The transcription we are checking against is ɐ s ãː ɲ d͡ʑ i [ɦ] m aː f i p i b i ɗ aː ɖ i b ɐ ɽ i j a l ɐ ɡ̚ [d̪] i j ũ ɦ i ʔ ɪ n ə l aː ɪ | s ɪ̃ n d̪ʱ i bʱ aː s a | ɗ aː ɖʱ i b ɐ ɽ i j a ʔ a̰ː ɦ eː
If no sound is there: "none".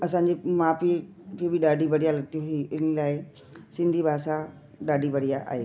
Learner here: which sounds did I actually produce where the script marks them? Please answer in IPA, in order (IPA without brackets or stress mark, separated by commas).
none, t̪